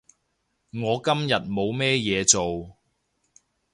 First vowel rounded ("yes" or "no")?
yes